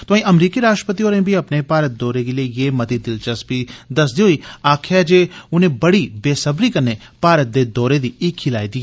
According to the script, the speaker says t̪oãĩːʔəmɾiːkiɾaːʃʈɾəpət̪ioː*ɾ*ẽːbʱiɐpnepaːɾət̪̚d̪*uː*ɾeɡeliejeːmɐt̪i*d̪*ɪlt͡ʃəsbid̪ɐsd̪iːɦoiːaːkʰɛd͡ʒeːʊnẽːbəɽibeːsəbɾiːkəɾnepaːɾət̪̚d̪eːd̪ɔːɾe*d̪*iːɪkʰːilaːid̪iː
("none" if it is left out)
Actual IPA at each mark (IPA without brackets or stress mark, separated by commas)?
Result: ɾ, ɔː, d̪, d̪